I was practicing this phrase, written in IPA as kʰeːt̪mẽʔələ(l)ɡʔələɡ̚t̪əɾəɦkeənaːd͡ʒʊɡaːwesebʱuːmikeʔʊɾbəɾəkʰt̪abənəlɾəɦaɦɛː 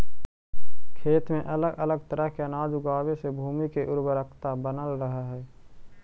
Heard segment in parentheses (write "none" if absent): none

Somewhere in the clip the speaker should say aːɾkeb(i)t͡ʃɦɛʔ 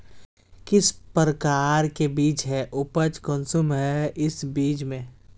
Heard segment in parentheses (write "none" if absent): iː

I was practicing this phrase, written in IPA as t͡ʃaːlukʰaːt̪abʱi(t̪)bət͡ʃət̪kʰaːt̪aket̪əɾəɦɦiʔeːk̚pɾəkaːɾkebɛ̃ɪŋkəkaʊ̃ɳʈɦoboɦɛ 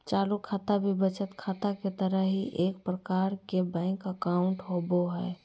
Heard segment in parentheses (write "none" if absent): none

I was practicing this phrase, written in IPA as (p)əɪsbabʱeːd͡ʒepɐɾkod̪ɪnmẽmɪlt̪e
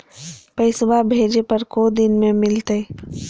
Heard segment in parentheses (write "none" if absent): p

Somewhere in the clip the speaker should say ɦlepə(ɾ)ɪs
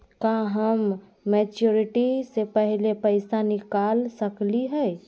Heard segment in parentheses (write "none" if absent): none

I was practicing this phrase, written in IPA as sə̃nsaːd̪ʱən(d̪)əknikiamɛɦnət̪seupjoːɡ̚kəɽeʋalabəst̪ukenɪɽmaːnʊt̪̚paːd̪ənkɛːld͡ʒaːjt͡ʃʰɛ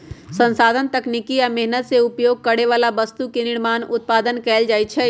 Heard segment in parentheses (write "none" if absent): t̪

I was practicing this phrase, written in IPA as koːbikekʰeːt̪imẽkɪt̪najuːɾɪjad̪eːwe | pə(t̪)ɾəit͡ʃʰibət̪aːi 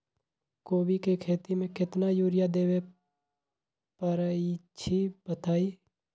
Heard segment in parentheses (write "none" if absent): none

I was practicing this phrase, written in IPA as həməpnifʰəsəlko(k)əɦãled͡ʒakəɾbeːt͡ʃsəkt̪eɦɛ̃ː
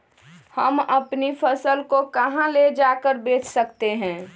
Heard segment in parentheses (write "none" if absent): k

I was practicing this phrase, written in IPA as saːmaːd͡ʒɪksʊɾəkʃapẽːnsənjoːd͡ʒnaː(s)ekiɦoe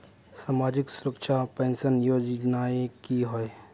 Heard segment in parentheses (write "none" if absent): none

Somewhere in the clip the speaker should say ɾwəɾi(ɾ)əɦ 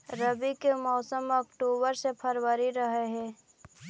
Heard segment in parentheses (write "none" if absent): ɾ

